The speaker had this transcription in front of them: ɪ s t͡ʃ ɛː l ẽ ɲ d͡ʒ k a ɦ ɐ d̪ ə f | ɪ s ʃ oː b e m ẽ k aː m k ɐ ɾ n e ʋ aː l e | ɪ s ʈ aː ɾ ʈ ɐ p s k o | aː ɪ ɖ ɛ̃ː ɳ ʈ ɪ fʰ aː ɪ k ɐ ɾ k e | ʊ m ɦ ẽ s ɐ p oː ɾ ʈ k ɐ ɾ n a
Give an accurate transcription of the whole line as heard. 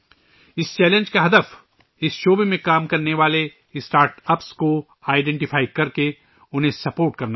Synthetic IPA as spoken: ɪ s t͡ʃ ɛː l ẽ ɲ d͡ʒ k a ɦ ɐ d̪ ə f | ɪ s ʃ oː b e m ẽ k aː m k ɐ ɾ n e ʋ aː l e | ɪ s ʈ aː ɾ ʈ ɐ p s k o | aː ɪ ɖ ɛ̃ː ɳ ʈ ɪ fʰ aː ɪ k ɐ ɾ k e | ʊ n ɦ ẽ s ɐ p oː ɾ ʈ k ɐ ɾ n a